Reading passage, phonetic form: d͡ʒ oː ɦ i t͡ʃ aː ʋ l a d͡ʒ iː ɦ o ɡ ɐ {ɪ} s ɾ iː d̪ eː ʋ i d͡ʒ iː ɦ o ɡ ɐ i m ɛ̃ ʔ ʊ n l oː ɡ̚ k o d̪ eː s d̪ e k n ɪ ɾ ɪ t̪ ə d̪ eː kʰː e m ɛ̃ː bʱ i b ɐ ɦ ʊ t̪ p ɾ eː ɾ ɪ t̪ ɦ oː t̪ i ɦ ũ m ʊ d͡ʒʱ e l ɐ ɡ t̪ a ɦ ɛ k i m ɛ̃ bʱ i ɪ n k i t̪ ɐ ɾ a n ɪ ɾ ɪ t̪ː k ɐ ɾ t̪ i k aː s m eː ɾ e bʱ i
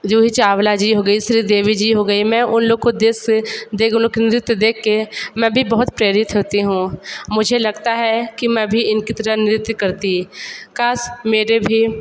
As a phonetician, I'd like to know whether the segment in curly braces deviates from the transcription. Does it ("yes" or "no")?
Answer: yes